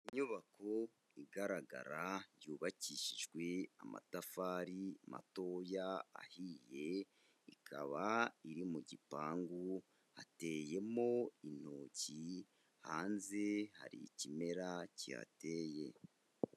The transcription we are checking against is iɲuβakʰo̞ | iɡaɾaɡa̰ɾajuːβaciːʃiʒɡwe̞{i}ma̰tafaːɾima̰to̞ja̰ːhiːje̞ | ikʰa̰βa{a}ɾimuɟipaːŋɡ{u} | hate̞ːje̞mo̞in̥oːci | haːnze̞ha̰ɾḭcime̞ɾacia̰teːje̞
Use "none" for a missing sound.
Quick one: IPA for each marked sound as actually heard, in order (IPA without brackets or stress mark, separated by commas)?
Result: a, i, u